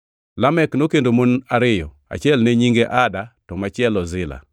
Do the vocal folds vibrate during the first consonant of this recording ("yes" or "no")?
yes